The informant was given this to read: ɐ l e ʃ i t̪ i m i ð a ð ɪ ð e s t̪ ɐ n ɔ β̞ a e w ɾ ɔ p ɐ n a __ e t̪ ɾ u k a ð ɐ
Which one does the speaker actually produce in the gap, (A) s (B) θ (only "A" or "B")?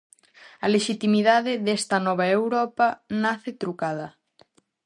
B